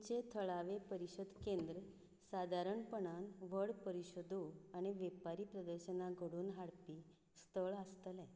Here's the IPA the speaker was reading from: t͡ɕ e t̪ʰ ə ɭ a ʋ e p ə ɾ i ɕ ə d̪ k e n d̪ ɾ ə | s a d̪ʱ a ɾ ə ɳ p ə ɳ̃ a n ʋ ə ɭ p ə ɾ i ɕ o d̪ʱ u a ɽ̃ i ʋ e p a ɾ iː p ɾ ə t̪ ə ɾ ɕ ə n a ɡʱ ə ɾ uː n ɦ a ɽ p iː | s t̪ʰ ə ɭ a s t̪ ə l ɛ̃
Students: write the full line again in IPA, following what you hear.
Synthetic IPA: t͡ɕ e t̪ʰ ə ɭ a ʋ e p ə ɾ i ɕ ə d̪ k e n d̪ ɾ ə | s a d̪ʱ a ɾ ə ɳ p ə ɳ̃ a n ʋ ə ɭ p ə ɾ i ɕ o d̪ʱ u a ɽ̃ i ʋ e p a ɾ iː p ɾ ə d̪ ə ɾ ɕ ə n a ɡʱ ə ɽ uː n ɦ a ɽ p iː | s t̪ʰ ə ɭ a s t̪ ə l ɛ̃